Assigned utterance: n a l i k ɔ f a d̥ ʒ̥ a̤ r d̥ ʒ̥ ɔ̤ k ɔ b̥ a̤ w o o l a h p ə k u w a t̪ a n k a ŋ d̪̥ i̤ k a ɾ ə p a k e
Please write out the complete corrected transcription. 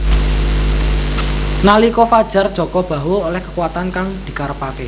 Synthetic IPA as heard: n a l i k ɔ f a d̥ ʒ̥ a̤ r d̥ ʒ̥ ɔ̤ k ɔ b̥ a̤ w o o l ɛ h k ə k u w a t̪ a n k a ŋ d̪̥ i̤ k a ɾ ə p a k e